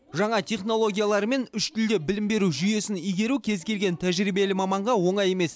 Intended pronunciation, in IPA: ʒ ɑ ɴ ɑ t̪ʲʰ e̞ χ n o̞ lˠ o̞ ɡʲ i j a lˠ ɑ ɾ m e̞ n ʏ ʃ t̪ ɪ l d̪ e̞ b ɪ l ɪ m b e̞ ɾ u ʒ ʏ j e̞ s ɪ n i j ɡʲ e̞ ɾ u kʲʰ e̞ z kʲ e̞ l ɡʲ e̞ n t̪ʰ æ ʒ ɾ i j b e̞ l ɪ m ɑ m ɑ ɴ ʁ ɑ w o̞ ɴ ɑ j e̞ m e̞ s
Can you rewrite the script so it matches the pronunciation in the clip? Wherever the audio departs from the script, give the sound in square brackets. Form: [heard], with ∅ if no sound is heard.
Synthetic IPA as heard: ʒ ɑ ɴ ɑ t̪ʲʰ e̞ χ n o̞ lˠ o̞ ɡʲ i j a lˠ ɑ ɾ m e̞ n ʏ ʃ t̪ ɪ l d̪ e̞ b ɪ l ɪ m b e̞ ɾ u ʒ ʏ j e̞ s ɪ n i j ɡʲ e̞ ɾ u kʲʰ e̞ z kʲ e̞ l ɡʲ e̞ n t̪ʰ æ ʒ ɾ i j b e̞ l ɪ m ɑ m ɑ ɴ ʁ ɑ w o̞ ɴ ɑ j e̞ m e̞ s